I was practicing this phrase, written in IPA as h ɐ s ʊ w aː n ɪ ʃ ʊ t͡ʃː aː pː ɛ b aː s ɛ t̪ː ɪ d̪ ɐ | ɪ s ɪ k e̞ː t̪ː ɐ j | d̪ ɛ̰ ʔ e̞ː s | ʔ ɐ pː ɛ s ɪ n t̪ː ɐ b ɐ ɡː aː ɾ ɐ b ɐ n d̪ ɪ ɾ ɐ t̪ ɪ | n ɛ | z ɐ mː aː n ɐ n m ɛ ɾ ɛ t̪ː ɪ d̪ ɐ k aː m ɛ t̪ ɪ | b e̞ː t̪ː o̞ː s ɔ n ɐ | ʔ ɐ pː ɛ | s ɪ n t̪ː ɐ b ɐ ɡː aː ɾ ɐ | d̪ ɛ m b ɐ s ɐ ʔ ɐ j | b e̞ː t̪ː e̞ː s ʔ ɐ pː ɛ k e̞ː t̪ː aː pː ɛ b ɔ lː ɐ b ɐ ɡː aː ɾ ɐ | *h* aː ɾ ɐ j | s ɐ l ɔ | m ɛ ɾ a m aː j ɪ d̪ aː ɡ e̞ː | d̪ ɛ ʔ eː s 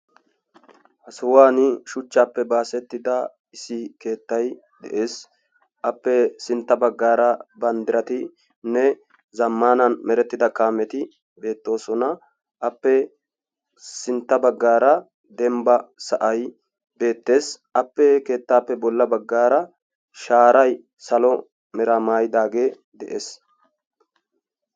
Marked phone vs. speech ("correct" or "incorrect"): incorrect